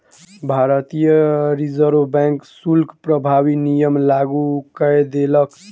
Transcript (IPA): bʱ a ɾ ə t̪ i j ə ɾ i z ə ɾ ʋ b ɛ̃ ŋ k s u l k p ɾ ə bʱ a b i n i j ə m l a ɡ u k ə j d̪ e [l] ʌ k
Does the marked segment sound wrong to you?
no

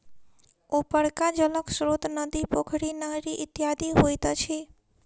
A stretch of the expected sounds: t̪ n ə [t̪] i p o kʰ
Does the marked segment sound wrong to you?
yes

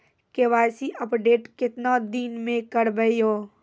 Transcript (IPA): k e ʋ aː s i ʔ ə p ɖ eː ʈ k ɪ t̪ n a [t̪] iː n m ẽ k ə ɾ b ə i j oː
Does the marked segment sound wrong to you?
yes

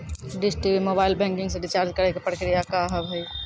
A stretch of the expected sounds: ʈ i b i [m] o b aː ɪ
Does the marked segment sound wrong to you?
no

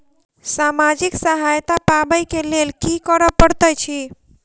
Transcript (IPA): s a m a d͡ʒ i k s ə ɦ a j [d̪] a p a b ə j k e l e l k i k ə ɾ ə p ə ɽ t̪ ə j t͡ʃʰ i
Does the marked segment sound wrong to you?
yes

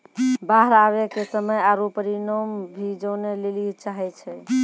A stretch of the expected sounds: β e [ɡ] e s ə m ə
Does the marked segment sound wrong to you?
yes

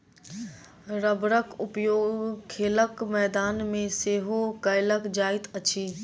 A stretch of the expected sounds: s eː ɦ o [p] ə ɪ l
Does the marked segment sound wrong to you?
yes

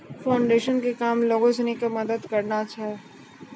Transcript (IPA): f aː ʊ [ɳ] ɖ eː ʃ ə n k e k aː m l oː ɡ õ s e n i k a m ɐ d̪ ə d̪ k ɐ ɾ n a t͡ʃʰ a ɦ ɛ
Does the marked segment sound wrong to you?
no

